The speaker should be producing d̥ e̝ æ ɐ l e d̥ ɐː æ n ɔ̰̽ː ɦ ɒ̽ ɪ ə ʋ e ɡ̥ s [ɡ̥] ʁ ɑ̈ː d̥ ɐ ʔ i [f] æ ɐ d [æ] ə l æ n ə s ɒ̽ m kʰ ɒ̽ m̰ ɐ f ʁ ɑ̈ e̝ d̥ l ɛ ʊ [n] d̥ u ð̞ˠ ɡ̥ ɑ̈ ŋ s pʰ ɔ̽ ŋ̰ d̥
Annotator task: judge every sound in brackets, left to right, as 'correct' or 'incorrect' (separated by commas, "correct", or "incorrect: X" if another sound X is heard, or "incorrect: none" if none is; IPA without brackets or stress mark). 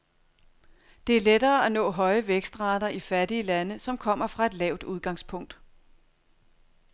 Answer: incorrect: d̥, correct, incorrect: i, incorrect: none